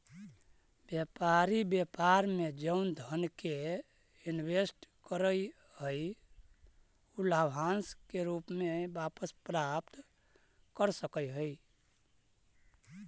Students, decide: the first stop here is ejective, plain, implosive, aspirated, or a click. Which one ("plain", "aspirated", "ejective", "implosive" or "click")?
plain